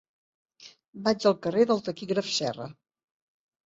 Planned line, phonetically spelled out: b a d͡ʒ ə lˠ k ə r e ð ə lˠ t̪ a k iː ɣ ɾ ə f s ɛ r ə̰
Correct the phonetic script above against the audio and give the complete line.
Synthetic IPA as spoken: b a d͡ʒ ə lˠ k ə r e ð ə lˠ t̪ ə k i ɣ ɾ ə f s ɛ r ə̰